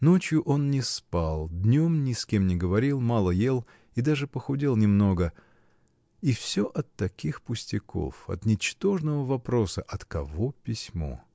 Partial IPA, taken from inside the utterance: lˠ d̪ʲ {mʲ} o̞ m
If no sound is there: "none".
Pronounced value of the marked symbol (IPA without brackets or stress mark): nʲ